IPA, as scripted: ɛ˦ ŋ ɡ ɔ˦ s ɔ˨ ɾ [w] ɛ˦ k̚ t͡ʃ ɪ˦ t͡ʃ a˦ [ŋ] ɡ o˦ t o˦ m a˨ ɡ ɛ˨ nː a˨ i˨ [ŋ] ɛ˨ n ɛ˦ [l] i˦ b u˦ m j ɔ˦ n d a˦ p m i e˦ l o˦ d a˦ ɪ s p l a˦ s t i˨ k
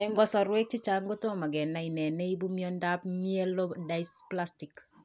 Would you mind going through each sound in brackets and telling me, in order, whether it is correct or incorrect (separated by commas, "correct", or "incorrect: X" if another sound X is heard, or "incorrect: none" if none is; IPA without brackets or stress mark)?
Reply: correct, correct, incorrect: n, incorrect: none